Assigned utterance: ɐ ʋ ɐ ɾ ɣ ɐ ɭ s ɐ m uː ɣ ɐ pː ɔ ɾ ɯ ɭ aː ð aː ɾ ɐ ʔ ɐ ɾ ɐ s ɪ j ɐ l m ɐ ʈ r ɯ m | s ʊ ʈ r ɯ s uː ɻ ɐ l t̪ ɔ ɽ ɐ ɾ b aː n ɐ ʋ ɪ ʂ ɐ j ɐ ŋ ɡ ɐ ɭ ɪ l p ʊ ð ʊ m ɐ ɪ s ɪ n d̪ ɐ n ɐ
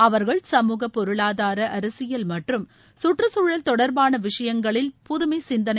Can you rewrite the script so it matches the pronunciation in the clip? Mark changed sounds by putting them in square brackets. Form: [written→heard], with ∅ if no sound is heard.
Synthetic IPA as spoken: ɐ ʋ ɐ ɾ ɣ ɐ ɭ s ɐ m uː ɣ ɐ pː ɔ ɾ ɯ ɭ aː ð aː ɾ ɐ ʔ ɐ ɾ ɐ s ɪ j ɐ l m ɐ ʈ r ɯ m | s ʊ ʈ r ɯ s uː ɻ ɐ l t̪ ɔ ɽ ɐ ɾ b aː n ɐ ʋ ɪ ʂ ɐ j ɐ ŋ ɡ ɐ ɭ ɪ l p ʊ ð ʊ m ɐ ɪ s ɪ n d̪ ɐ n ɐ

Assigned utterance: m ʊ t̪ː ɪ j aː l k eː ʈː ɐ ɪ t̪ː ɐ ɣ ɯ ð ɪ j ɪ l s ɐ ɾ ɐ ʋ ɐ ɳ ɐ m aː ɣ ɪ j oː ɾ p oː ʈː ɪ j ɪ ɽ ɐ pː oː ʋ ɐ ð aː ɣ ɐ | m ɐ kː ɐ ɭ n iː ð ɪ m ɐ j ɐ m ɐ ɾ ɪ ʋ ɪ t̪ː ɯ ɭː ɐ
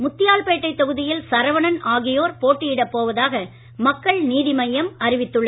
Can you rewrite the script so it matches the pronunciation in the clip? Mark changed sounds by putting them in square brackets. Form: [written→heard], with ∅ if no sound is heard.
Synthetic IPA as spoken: m ʊ t̪ː ɪ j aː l [k→p] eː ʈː ɐ ɪ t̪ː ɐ ɣ ɯ ð ɪ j ɪ l s ɐ ɾ ɐ ʋ ɐ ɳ ɐ [m→n] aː ɣ ɪ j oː ɾ p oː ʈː ɪ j ɪ ɽ ɐ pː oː ʋ ɐ ð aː ɣ ɐ | m ɐ kː ɐ ɭ n iː ð ɪ m ɐ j ɐ m ɐ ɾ ɪ ʋ ɪ t̪ː ɯ ɭː ɐ

